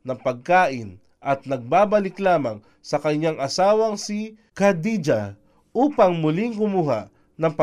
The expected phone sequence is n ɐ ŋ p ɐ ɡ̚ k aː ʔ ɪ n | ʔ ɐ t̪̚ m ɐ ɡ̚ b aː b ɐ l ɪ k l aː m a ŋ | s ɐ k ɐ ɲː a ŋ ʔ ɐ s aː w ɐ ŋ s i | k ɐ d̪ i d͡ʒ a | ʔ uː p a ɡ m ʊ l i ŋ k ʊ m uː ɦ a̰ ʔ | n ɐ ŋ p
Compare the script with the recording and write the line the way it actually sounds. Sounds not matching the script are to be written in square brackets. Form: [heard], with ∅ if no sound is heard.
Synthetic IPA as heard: n ɐ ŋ p ɐ ɡ̚ k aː ʔ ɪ n | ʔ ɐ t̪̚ [n] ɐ ɡ̚ b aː b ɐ l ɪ k l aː m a ŋ | s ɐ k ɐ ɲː a ŋ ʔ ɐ s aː w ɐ ŋ s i | k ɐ d̪ i d͡ʒ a | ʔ uː p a [ŋ] m ʊ l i ŋ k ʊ m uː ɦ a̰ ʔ | n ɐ ŋ p